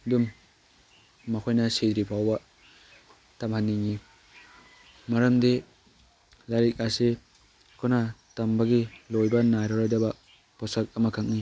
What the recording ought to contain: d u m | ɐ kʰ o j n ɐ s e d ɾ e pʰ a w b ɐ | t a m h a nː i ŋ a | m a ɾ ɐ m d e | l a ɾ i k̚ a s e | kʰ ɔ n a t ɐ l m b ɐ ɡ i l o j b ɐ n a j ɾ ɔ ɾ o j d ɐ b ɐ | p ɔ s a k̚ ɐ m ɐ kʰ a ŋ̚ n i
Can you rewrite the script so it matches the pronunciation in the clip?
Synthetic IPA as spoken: d u m | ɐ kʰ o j n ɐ s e d ɾ i pʰ a w b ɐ | t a m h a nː i ŋ i | m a ɾ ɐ m d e | l a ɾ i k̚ a s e | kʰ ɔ n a t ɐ m b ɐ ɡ i l o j b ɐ n a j ɾ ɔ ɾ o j d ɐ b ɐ | p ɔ s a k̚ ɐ m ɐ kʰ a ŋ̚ n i